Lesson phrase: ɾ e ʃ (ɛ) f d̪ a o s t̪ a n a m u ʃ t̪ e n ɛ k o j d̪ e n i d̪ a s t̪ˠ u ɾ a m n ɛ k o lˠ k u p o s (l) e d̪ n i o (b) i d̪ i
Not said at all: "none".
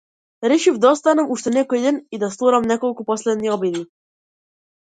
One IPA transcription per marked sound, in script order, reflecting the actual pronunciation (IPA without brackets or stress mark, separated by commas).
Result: i, l, b